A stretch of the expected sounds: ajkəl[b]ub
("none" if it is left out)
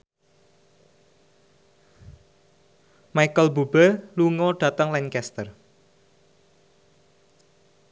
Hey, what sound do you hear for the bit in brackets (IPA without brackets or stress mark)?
b